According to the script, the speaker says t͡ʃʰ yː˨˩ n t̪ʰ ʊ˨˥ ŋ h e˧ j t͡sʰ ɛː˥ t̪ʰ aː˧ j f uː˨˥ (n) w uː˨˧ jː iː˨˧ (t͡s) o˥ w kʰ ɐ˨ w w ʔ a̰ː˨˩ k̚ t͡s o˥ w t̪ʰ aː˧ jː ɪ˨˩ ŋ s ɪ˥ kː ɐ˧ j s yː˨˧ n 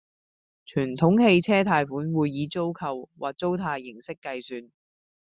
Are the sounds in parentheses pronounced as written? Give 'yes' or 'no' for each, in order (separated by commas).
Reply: yes, yes